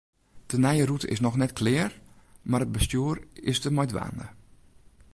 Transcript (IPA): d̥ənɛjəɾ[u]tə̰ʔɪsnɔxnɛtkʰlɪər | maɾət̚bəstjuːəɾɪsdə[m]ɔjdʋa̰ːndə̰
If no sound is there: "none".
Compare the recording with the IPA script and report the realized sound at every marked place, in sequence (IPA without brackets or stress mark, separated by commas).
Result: u, m